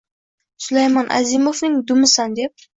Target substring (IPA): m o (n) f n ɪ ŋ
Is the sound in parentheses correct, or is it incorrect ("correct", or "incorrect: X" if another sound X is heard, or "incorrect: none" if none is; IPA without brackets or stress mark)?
incorrect: none